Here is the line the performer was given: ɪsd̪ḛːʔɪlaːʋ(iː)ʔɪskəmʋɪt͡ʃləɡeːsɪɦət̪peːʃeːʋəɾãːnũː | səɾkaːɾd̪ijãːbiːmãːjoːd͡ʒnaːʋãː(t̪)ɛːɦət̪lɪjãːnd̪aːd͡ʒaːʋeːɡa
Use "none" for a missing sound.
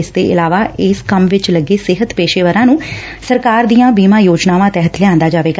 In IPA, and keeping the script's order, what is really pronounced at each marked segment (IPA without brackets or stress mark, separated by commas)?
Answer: aː, t̪